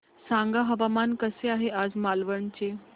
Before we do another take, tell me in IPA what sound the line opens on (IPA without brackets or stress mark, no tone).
s